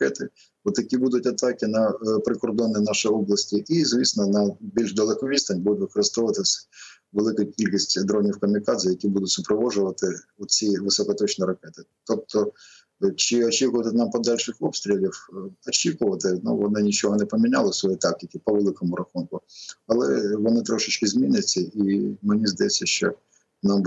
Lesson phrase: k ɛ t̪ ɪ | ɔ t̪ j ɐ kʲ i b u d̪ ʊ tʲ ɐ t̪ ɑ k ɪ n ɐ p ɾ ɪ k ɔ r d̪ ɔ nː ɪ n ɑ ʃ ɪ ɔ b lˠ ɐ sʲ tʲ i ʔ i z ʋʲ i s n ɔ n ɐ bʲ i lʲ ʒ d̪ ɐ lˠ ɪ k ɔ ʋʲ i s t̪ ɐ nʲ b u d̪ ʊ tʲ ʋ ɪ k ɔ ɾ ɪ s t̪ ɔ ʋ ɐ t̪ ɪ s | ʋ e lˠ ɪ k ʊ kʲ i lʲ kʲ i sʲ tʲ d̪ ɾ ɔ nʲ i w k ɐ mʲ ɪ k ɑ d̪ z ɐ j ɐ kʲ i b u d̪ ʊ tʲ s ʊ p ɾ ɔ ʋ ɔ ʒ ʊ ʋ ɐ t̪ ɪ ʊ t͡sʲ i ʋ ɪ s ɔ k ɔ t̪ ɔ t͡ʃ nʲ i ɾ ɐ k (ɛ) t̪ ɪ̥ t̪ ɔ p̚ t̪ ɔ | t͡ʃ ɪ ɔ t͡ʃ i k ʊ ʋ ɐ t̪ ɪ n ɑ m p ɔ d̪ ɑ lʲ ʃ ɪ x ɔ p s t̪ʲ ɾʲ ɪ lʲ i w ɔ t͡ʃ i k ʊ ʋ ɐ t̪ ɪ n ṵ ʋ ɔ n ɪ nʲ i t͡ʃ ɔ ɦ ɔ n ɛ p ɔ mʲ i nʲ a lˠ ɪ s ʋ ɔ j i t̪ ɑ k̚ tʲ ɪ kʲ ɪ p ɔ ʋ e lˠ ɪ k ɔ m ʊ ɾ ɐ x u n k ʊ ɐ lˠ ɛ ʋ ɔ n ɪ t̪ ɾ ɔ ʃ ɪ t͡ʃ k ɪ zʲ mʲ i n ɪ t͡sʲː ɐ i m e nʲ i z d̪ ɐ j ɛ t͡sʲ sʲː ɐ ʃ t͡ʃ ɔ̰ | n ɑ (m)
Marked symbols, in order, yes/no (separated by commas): yes, yes